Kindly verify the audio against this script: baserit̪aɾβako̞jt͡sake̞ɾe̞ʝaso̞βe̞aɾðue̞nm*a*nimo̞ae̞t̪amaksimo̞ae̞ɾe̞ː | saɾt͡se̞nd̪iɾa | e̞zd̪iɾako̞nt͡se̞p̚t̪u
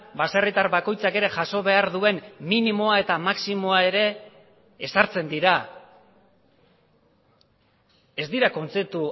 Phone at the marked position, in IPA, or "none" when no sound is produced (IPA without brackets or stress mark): i